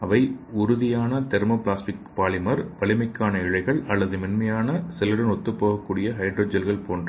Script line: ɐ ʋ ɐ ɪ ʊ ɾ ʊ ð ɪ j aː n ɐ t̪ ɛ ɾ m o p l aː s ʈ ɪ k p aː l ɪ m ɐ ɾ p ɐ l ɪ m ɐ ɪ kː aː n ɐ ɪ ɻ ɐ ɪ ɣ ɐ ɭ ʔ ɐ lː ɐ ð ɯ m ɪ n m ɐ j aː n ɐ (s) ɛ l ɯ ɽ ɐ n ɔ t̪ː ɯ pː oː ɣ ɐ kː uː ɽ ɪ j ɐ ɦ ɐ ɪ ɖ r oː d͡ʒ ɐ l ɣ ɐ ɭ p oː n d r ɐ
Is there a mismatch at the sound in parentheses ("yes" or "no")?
no